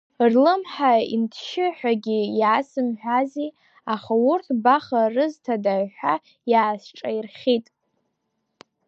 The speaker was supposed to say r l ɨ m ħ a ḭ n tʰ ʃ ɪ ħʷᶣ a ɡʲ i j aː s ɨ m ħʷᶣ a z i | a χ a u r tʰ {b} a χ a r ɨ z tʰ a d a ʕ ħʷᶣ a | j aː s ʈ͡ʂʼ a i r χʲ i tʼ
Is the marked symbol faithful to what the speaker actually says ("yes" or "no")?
yes